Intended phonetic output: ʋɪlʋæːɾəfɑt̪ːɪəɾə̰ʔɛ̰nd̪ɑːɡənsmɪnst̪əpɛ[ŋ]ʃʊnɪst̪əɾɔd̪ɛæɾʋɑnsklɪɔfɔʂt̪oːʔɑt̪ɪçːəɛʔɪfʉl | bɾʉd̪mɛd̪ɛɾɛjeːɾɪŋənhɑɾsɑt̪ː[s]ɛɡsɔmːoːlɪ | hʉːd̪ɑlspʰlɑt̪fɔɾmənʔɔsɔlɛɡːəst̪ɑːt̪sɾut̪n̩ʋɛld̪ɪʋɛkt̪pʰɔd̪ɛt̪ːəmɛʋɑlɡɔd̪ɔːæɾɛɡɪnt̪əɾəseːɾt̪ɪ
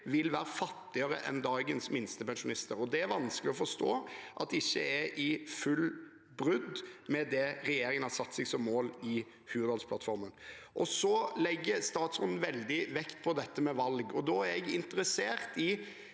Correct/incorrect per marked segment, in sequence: incorrect, correct

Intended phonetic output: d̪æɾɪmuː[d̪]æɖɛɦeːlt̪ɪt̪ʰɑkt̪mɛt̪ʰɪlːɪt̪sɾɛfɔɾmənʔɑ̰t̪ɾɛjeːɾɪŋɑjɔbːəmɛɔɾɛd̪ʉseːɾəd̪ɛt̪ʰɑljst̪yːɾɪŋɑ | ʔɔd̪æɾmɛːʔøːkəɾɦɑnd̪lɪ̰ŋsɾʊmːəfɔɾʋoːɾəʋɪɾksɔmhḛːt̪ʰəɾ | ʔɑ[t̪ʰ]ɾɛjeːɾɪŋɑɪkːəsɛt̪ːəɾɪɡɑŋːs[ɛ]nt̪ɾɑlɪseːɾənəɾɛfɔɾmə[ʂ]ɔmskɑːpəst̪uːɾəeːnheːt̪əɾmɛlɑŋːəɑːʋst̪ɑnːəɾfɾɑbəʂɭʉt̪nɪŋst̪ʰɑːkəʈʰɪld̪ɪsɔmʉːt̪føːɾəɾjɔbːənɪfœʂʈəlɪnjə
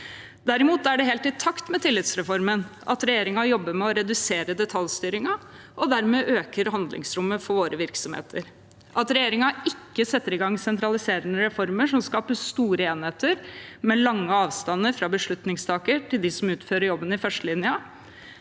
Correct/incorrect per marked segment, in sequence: incorrect, incorrect, correct, correct

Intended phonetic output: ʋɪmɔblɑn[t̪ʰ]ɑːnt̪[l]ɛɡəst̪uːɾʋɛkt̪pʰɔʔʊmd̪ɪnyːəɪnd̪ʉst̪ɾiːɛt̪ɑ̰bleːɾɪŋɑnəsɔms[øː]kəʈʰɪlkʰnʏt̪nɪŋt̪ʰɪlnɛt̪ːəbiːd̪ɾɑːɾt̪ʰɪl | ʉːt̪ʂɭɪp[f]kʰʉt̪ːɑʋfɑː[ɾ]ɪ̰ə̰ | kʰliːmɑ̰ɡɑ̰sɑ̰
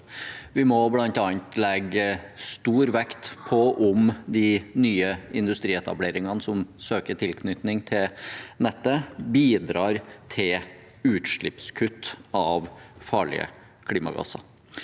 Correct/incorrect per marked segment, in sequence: incorrect, correct, correct, incorrect, incorrect

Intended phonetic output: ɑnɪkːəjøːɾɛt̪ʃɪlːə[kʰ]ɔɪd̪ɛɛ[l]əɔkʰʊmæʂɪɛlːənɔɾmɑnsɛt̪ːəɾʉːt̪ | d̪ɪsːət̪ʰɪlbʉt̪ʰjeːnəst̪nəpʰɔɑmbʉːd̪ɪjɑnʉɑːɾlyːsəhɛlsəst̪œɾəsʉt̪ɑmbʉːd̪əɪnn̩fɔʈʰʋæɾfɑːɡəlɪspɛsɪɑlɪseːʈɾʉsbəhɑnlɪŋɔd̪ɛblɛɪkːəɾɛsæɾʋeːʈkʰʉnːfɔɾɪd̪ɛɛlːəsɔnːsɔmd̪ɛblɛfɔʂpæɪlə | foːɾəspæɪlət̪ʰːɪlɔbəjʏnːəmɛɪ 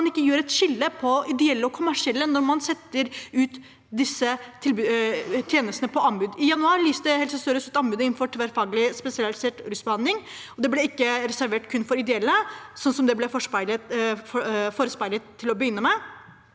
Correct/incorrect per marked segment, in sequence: incorrect, incorrect

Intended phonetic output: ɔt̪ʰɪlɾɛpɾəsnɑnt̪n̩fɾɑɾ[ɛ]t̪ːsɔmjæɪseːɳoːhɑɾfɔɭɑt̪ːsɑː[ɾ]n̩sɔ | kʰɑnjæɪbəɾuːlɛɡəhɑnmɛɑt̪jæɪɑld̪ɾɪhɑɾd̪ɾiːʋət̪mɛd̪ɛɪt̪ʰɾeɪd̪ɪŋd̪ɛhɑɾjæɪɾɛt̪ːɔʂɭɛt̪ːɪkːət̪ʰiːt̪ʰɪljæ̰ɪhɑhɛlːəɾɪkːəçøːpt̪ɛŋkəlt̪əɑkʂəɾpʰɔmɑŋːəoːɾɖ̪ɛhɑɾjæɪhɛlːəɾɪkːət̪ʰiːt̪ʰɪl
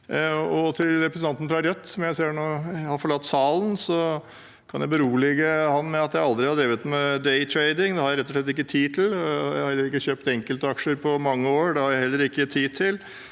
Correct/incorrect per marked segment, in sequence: incorrect, incorrect

